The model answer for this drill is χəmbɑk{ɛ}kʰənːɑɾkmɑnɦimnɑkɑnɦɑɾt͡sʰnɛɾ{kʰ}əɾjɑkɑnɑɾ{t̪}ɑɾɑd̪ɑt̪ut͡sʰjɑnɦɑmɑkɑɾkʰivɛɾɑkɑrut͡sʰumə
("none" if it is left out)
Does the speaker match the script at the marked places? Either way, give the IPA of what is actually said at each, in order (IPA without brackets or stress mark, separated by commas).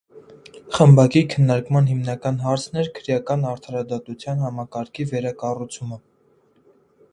i, kʰ, t̪ʰ